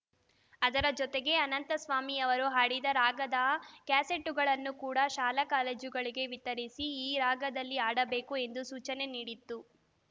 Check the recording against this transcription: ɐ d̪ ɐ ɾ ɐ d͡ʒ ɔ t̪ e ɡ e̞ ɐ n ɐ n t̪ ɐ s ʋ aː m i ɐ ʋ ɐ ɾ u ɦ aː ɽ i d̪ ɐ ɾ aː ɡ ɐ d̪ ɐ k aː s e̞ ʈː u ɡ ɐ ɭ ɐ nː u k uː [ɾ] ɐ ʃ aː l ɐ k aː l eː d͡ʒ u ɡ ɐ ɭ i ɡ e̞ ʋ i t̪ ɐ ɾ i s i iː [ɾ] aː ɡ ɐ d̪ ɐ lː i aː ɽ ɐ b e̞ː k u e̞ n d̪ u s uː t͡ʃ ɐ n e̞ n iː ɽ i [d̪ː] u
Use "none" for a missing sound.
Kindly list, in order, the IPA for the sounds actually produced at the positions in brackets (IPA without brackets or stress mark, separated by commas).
ɽ, ɾ, t̪ː